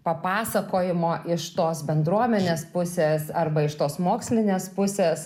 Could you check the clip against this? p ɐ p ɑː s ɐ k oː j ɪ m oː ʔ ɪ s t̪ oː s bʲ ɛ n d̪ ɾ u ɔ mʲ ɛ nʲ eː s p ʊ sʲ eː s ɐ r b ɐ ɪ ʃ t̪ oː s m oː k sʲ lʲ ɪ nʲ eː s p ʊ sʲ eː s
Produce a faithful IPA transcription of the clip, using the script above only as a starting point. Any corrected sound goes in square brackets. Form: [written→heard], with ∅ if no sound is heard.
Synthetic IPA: p ɐ p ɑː s ɐ k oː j ɪ m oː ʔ ɪ [s→ʃ] t̪ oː s bʲ ɛ n d̪ ɾ u ɔ mʲ ɛ nʲ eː s p ʊ sʲ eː s ɐ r b ɐ ɪ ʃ t̪ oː s m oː k sʲ lʲ ɪ nʲ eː s p ʊ sʲ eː s